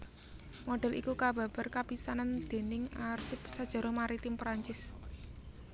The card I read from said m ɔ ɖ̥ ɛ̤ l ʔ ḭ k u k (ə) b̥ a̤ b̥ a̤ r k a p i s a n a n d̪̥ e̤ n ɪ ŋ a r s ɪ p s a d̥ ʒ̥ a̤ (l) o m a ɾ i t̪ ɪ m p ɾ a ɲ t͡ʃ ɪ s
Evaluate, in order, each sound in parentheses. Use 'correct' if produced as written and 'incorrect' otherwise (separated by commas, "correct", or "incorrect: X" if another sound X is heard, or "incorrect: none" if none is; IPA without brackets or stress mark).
incorrect: a, incorrect: ɾ